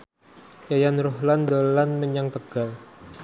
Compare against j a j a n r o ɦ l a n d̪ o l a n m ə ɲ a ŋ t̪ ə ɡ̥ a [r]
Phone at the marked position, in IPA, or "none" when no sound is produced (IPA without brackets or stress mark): l